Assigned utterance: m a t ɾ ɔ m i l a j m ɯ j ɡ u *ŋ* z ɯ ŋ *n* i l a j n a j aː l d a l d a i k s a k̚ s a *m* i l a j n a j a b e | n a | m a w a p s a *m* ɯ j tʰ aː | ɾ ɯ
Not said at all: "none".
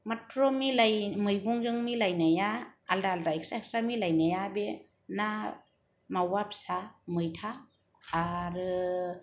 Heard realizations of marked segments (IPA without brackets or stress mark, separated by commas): ŋ, m, m, m